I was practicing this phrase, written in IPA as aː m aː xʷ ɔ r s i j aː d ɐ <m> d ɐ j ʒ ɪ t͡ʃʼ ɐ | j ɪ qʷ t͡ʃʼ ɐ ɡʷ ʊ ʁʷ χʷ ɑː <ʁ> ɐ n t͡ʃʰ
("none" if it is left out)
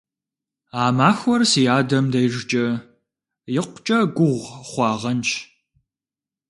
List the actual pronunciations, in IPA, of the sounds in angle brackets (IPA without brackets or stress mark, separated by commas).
m, ʁ